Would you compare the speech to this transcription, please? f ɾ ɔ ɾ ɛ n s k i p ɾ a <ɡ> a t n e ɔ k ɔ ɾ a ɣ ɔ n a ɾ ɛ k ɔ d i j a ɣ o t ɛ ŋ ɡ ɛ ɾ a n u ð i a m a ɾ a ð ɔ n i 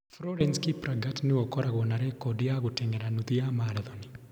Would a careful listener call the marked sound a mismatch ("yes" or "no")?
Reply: no